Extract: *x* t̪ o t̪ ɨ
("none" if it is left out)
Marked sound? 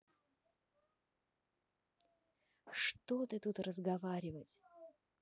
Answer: ʂ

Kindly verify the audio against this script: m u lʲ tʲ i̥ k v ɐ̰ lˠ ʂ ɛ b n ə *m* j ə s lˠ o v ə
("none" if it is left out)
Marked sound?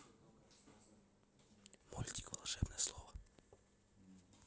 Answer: none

